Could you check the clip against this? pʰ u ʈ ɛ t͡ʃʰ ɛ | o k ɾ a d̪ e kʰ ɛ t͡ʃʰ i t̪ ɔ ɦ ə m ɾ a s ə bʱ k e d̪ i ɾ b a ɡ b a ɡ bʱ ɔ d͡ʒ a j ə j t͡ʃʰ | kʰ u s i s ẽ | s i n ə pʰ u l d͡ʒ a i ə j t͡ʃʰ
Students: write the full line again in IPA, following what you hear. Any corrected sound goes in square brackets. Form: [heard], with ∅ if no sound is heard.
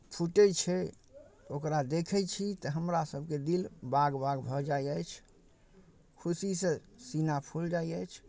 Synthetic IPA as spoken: pʰ u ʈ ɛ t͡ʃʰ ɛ | o k ɾ a d̪ e kʰ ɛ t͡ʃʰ i t̪ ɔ ɦ ə m ɾ a s ə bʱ k e d̪ i [l] b a ɡ b a ɡ bʱ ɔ d͡ʒ a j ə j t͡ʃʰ | kʰ u s i s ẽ | s i n [a] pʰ u l d͡ʒ a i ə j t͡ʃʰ